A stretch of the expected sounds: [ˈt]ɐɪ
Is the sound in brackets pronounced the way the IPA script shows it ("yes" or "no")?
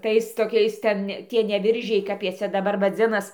yes